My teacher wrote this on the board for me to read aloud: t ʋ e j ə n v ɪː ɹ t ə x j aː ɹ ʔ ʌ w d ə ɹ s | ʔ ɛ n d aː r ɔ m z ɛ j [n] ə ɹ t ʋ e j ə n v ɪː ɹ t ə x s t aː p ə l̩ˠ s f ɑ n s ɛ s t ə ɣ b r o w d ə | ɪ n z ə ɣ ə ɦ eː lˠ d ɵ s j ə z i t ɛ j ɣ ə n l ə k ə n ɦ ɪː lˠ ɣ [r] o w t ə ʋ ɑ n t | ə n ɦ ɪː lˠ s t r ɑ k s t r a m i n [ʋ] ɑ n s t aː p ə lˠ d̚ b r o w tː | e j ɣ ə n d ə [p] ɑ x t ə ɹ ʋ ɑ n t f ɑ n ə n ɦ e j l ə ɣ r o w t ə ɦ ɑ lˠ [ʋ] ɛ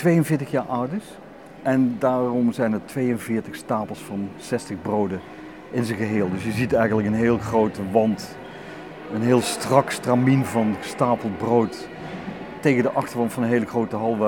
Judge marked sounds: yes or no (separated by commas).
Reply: yes, yes, no, no, yes